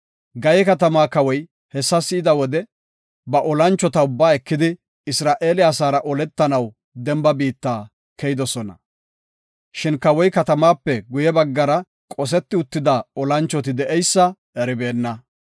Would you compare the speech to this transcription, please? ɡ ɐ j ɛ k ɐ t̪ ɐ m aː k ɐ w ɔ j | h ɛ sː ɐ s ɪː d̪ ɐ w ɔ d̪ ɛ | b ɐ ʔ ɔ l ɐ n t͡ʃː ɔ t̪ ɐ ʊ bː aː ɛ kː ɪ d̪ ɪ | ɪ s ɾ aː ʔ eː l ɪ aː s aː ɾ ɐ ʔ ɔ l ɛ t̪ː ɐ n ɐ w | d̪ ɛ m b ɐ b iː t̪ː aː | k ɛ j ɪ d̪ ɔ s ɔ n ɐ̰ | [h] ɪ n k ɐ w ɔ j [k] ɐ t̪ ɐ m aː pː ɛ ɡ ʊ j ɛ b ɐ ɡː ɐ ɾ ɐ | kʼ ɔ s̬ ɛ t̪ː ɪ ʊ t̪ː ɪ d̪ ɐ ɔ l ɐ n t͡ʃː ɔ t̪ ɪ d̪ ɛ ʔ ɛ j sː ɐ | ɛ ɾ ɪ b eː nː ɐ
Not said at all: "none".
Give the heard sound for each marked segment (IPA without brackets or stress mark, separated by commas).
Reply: ʃ, k